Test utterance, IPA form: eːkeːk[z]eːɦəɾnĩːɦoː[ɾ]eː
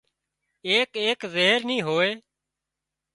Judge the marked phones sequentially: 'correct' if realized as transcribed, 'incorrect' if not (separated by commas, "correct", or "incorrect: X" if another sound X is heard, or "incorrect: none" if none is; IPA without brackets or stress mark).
correct, incorrect: none